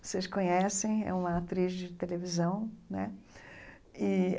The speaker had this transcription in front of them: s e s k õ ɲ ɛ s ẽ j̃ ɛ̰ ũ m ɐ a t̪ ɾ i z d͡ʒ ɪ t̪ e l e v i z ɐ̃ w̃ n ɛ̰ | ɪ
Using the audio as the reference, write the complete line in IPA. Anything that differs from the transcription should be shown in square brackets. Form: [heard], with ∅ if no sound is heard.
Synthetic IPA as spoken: s e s k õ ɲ ɛ s ẽ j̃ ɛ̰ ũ m ɐ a t̪ ɾ i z d͡ʒ ɪ t̪ e l e v i z ɐ̃ w̃ n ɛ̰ | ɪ